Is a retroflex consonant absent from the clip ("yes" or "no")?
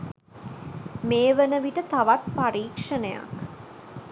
no